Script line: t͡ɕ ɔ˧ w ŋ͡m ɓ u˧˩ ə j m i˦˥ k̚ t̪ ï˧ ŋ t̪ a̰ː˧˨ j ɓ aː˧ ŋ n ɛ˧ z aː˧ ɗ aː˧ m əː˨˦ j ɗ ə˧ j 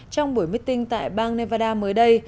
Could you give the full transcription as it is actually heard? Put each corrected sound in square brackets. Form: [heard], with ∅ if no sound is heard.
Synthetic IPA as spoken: t͡ɕ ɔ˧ w ŋ͡m ɓ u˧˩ ə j m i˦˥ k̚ t̪ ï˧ ŋ t̪ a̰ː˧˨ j ɓ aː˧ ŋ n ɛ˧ [v] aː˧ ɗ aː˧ m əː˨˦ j ɗ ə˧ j